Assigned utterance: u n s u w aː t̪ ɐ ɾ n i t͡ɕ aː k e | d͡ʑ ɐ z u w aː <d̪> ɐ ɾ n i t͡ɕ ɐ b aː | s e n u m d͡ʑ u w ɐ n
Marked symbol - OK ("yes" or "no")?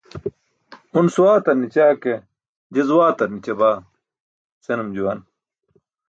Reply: no